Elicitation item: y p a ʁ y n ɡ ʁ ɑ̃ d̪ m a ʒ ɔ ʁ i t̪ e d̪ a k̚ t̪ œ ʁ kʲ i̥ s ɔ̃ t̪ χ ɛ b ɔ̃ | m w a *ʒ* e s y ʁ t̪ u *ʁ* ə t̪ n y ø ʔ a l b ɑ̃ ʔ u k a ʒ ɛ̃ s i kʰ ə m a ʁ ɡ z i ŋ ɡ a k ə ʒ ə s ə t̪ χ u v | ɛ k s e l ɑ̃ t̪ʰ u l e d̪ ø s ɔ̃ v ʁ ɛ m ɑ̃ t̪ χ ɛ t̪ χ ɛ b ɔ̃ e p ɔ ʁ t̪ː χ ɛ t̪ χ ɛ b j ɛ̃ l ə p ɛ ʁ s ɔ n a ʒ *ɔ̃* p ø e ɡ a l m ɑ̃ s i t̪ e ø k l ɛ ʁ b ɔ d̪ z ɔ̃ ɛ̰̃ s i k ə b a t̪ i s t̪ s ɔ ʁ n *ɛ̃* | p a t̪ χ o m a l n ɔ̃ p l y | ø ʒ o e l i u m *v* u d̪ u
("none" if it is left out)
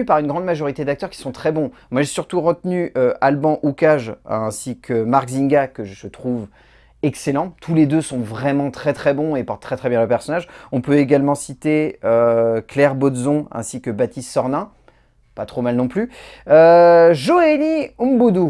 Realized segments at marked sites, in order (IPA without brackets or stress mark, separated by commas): ʒ, ʁ, ɔ̃, ɛ̃, b